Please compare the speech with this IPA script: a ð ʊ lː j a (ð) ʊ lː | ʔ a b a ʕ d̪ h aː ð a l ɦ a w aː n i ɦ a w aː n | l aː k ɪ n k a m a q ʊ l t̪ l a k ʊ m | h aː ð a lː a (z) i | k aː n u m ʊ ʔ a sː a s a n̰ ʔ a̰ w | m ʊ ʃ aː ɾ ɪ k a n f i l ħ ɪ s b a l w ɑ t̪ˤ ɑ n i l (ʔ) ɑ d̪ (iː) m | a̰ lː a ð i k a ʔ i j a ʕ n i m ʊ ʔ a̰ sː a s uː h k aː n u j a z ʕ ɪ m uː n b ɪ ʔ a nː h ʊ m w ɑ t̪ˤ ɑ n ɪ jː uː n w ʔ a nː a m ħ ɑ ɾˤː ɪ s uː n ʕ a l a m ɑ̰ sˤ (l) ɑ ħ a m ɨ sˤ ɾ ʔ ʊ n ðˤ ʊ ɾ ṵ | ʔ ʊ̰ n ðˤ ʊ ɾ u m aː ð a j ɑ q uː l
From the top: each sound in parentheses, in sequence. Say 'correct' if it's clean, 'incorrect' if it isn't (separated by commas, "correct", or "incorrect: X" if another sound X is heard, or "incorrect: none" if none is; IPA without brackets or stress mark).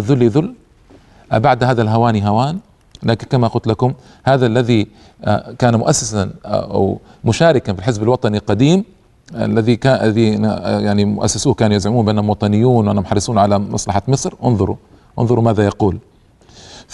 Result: correct, incorrect: ð, incorrect: q, correct, correct